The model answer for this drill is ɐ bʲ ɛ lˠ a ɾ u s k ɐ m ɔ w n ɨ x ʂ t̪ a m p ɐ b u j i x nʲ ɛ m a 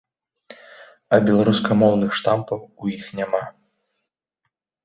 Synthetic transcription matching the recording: ɐ bʲ ɛ lˠ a ɾ u s k ɐ m ɔ w n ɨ x ʂ t̪ a m p ɐ w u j i x nʲ a m a